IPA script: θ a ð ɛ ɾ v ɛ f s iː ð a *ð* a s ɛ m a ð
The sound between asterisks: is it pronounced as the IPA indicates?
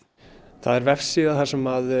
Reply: no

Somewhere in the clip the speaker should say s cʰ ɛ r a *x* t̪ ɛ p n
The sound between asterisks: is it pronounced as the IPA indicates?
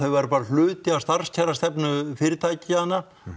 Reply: no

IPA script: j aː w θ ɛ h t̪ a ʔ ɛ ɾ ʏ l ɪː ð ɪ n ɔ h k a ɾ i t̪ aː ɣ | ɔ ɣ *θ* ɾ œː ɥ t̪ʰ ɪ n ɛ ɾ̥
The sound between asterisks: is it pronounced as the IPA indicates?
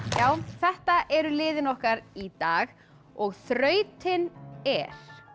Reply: yes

